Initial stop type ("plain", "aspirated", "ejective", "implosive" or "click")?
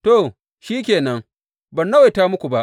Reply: plain